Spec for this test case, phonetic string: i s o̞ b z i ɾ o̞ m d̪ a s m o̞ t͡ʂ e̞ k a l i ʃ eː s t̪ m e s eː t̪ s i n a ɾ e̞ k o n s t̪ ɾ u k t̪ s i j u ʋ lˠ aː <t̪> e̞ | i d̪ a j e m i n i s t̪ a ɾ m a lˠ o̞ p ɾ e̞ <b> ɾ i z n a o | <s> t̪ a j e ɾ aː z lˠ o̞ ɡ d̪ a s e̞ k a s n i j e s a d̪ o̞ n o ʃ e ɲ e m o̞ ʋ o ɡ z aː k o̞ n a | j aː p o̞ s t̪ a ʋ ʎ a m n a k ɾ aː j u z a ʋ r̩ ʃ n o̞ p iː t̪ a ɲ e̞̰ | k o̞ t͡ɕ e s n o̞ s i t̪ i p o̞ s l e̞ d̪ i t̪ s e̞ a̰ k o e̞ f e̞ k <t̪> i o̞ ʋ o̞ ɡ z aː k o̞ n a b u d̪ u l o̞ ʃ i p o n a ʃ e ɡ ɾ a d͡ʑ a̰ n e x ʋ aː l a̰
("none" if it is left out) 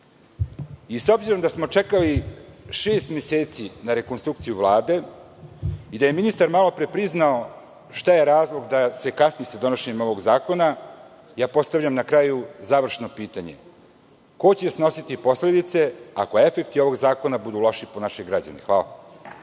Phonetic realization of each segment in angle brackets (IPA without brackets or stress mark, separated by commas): d̪, p, ʃ, t̪